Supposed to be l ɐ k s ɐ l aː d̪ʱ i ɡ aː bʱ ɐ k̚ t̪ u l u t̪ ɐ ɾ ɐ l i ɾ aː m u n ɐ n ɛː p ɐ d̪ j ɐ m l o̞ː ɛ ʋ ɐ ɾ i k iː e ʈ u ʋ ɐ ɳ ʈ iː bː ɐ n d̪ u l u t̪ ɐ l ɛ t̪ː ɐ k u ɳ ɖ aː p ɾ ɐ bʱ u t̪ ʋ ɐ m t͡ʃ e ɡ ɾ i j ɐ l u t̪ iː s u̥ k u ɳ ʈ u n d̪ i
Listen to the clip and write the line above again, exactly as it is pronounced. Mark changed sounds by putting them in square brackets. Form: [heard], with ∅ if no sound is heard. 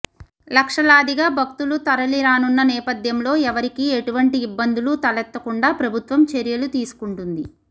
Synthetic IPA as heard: l ɐ k [ʂ] ɐ l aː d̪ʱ i ɡ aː bʱ ɐ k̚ t̪ u l u t̪ ɐ ɾ ɐ l i ɾ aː [n] u [nː] ɐ n ɛː p ɐ d̪ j ɐ m l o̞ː ɛ ʋ ɐ ɾ i k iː e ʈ u ʋ ɐ ɳ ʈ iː bː ɐ n d̪ u l u t̪ ɐ l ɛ t̪ː ɐ k u ɳ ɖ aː p ɾ ɐ bʱ u t̪ ʋ ɐ m t͡ʃ e [∅] ɾ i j ɐ l u t̪ iː s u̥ k u ɳ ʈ u n d̪ i